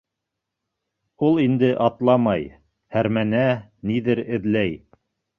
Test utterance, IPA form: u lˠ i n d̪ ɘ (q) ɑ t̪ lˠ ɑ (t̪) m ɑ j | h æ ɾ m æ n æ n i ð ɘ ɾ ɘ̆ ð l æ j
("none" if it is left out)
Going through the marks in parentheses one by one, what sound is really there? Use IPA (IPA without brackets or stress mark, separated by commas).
ʔ, none